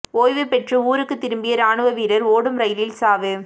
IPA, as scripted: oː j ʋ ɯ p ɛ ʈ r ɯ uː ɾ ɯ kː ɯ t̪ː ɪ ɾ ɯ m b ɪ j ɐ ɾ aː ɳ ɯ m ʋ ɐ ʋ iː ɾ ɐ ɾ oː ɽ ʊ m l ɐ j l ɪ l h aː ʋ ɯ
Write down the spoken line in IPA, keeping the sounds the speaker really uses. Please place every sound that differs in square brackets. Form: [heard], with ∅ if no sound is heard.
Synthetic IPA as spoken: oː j ʋ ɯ p ɛ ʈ r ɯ uː ɾ ɯ kː ɯ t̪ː ɪ ɾ ɯ m b ɪ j ɐ ɾ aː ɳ ɯ [∅] ʋ ɐ ʋ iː ɾ ɐ ɾ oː ɽ [ɯ] m [ɾ] ɐ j l ɪ l [s] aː ʋ ɯ